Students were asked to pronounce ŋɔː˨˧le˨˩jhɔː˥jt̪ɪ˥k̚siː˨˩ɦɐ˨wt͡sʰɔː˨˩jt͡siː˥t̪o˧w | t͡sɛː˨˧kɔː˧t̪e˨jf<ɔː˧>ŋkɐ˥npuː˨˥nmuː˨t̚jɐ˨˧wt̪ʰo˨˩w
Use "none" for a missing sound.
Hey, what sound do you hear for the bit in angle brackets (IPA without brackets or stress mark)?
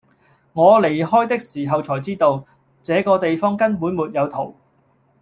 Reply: ɔː˥